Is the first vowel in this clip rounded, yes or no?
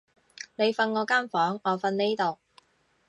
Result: no